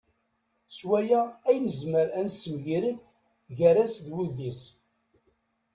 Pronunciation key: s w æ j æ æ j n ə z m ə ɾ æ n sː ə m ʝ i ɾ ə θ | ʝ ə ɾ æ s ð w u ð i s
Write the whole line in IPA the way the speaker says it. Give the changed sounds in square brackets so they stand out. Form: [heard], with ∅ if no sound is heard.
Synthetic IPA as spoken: s w æ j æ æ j n ə z m ə ɾ æ n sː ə m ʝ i ɾ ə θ | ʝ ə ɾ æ s ð w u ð i s